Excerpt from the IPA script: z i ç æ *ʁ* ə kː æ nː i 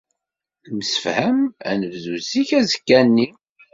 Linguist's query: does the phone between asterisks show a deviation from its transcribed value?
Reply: yes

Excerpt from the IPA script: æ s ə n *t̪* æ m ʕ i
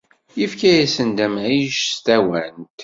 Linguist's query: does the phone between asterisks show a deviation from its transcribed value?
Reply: yes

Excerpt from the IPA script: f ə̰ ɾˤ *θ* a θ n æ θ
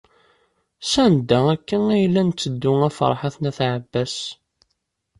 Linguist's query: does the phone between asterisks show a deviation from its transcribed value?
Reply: yes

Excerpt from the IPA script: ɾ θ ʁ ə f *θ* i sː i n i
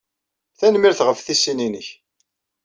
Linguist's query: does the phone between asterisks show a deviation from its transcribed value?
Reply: no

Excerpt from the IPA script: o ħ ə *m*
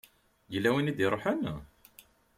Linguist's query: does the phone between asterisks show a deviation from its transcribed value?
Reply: yes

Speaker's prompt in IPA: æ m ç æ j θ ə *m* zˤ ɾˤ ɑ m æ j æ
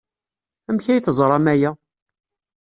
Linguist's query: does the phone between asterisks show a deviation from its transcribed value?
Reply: yes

